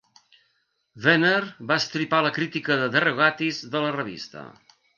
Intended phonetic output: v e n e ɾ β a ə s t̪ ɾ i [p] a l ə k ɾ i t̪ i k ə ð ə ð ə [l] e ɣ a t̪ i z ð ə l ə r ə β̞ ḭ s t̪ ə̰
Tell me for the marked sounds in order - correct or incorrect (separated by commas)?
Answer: correct, incorrect